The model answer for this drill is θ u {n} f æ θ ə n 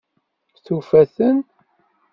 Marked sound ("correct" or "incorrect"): incorrect